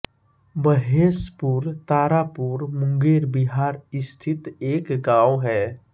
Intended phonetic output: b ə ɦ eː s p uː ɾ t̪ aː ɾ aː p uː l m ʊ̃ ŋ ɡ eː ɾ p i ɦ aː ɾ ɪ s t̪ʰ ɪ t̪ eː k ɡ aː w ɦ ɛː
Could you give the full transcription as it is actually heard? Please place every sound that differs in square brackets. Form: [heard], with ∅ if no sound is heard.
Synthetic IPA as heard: b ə ɦ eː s p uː ɾ t̪ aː ɾ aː p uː [ɾ] m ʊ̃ ŋ ɡ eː ɾ [b] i ɦ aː ɾ ɪ s t̪ʰ ɪ t̪ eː k ɡ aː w ɦ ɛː